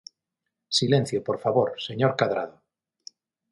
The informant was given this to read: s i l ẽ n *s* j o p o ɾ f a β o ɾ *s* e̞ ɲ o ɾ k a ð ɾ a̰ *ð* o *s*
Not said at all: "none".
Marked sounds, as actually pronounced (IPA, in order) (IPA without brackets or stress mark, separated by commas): θ, s, ð, none